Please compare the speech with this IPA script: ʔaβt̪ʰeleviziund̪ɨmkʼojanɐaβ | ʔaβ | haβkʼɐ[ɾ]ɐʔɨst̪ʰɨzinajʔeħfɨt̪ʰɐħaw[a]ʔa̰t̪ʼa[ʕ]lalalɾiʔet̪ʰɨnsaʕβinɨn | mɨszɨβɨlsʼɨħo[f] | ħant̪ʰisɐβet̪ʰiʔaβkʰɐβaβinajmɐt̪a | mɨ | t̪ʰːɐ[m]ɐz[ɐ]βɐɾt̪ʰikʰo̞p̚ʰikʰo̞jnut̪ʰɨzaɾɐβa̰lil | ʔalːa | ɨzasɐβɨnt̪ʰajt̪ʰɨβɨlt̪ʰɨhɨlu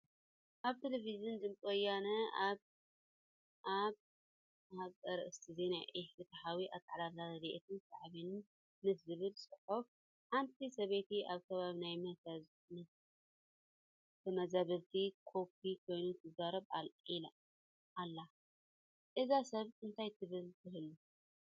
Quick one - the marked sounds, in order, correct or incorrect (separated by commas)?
correct, incorrect, correct, correct, correct, incorrect